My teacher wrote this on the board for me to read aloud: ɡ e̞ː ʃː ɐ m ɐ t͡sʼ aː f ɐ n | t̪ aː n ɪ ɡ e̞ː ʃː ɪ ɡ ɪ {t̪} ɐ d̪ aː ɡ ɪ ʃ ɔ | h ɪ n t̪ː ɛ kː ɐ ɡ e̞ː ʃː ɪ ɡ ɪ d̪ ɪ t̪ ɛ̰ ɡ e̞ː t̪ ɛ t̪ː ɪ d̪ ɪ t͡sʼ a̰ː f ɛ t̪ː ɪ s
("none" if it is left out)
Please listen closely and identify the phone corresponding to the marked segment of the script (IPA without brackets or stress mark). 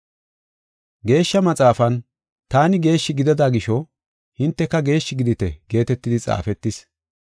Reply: d̪